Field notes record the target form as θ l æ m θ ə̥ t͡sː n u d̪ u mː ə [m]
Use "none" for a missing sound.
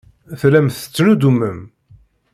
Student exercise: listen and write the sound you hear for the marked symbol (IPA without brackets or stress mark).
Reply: m